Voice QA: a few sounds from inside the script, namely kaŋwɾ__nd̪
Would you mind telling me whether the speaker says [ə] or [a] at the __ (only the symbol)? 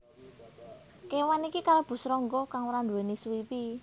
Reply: a